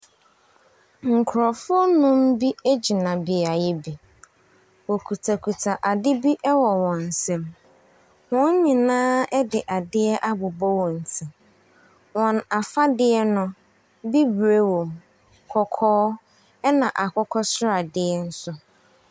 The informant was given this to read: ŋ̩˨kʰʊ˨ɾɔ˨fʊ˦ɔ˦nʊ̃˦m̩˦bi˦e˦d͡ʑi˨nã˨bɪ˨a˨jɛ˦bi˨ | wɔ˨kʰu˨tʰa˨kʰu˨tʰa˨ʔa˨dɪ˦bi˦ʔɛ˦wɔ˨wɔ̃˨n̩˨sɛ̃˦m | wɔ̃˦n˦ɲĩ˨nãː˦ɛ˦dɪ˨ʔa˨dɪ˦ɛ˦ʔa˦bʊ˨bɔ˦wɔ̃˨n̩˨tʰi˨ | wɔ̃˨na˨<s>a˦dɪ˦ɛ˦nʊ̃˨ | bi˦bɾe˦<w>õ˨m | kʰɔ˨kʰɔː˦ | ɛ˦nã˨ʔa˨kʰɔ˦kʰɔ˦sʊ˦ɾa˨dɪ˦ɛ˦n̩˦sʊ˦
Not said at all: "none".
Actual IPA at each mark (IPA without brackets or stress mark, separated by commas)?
f, w